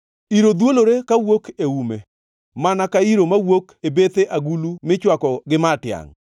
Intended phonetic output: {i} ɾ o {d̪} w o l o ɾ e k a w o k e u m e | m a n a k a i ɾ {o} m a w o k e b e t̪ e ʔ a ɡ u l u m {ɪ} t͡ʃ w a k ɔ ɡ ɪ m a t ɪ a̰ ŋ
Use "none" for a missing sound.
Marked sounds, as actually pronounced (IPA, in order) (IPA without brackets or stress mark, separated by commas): i, d̪, o, ɪ